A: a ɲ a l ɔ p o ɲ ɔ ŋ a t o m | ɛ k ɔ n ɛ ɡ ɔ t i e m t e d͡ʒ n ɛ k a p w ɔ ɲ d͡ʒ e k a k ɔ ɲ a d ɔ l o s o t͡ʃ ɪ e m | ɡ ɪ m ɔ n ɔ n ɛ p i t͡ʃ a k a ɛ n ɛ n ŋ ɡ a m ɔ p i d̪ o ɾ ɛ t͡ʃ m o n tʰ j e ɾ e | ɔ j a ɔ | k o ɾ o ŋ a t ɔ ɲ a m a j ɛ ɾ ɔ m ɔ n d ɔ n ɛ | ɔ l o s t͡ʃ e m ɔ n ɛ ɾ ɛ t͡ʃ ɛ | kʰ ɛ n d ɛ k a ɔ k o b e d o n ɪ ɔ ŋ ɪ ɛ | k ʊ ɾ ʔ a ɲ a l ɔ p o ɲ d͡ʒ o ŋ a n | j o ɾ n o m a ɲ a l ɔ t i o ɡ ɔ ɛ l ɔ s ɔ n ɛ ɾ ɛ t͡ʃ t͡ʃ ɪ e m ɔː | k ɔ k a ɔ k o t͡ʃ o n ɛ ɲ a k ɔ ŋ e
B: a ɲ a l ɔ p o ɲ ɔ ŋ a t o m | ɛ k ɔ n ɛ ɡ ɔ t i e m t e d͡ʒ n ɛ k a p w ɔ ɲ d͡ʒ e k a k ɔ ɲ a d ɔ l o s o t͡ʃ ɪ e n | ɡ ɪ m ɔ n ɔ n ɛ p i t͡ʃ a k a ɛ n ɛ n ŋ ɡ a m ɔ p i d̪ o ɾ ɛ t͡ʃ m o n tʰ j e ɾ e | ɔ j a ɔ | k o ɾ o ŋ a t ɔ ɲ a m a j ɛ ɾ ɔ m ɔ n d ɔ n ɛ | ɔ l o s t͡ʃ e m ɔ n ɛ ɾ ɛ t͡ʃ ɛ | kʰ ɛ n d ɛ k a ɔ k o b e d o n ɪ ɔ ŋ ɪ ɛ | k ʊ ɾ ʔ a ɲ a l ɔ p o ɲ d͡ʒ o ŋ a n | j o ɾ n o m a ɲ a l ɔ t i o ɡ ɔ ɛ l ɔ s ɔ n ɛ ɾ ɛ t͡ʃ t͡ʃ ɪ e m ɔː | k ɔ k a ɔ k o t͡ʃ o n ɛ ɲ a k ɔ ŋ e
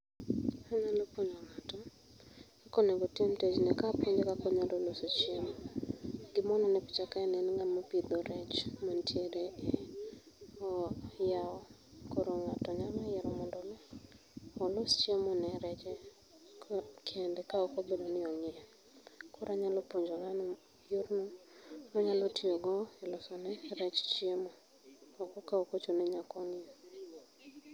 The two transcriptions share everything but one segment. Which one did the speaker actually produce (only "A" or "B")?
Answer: A